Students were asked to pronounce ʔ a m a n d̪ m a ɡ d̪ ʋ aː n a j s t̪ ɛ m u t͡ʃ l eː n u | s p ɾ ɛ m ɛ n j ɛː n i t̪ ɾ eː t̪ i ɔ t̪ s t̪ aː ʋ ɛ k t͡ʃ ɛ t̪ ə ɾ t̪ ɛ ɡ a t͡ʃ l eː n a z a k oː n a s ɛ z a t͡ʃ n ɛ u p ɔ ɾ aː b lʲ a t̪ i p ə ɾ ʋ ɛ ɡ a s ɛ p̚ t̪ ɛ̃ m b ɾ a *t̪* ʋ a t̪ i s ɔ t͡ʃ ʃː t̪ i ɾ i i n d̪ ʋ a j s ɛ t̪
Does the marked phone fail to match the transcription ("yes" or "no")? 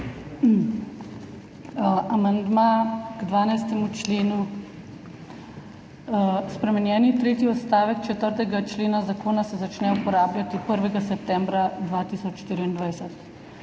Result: yes